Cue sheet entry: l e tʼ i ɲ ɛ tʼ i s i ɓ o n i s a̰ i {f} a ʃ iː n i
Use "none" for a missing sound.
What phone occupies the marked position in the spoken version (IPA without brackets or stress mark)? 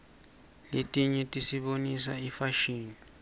f